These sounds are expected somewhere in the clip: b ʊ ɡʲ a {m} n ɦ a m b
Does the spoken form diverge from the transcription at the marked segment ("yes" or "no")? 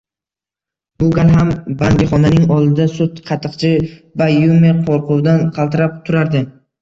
yes